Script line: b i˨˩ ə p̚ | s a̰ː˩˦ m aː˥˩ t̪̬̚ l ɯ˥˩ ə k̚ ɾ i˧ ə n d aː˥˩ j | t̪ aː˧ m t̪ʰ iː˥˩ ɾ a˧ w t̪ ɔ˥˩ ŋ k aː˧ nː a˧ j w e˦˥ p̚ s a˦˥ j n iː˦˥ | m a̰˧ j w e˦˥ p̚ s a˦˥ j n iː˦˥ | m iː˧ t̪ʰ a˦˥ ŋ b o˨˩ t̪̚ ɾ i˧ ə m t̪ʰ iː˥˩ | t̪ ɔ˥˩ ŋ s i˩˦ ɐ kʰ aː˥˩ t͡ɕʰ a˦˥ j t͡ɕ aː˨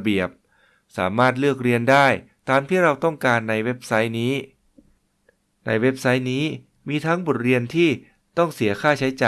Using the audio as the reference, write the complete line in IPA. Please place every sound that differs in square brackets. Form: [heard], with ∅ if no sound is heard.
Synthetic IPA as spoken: b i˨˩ ə p̚ | s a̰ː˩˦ m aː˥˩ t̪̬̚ l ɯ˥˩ ə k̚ ɾ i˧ ə n d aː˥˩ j | t̪ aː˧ m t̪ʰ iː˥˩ ɾ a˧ w t̪ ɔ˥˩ ŋ k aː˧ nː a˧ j w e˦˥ p̚ s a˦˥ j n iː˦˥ | [n] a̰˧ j w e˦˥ p̚ s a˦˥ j n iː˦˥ | m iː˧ t̪ʰ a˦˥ ŋ b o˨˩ t̪̚ ɾ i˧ ə [n] t̪ʰ iː˥˩ | t̪ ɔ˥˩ ŋ s i˩˦ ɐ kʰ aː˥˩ t͡ɕʰ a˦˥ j t͡ɕ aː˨

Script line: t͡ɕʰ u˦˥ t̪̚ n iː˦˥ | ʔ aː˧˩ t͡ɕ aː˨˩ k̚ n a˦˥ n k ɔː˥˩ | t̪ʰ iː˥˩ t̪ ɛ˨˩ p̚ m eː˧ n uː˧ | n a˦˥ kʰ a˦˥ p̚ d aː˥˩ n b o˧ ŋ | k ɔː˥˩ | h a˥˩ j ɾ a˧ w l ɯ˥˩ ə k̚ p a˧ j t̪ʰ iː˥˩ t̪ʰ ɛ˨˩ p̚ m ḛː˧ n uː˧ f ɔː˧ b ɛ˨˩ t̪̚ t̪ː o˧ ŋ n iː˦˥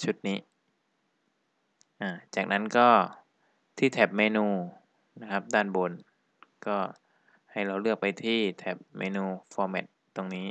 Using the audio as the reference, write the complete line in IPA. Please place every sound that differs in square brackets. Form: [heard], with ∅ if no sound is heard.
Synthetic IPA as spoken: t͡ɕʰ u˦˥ t̪̚ n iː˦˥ | ʔ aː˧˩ t͡ɕ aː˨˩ k̚ n a˦˥ n k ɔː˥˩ | t̪ʰ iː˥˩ [t̪ʰ] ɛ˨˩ p̚ m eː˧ n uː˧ | n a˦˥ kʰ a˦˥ p̚ d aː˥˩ n b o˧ [n] | k ɔː˥˩ | h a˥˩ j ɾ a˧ w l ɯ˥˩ ə k̚ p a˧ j t̪ʰ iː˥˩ t̪ʰ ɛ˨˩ p̚ m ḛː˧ n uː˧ f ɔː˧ [m] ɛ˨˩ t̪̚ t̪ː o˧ ŋ n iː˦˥

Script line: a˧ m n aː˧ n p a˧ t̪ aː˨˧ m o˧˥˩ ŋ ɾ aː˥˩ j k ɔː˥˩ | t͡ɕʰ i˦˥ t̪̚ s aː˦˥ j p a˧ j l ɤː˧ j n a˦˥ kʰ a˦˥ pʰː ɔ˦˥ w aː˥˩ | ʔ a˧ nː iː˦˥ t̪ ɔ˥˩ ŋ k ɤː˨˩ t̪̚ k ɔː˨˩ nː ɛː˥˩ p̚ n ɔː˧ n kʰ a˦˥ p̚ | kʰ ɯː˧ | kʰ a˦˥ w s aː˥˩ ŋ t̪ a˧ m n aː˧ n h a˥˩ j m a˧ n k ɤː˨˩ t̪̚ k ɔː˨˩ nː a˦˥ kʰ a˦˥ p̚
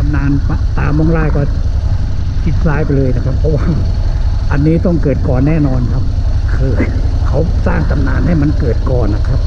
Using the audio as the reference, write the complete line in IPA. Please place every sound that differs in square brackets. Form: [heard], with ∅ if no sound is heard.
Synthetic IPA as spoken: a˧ m n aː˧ n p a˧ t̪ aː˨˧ m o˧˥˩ ŋ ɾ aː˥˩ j k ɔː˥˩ | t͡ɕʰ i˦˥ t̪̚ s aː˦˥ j p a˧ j l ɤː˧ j n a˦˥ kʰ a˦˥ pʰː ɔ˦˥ w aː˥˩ | ʔ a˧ nː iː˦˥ t̪ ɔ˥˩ ŋ k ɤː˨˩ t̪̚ k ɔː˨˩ nː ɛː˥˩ [∅] n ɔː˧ n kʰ a˦˥ p̚ | kʰ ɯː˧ | kʰ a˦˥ w s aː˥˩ ŋ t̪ a˧ m n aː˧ n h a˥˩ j m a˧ n k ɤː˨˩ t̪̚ k ɔː˨˩ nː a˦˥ kʰ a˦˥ p̚

